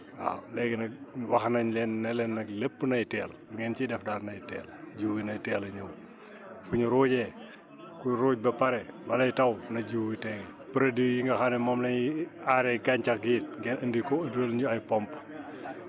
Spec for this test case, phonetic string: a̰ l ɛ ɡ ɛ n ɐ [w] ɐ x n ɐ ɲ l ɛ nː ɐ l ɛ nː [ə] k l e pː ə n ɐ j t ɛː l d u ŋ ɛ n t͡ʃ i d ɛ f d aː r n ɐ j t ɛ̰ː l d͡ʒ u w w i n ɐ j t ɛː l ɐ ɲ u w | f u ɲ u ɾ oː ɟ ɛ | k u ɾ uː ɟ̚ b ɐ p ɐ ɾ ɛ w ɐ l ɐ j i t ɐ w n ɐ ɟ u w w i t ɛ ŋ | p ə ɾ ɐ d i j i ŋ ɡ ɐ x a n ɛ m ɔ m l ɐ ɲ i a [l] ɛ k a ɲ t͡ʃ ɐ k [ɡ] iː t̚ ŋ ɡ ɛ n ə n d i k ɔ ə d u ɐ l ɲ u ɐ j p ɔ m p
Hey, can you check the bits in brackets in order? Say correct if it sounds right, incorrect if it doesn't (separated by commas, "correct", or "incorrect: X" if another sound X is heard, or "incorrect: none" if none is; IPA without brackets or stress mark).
correct, incorrect: ɐ, incorrect: ɾ, correct